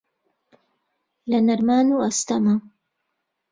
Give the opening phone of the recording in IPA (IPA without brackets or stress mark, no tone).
l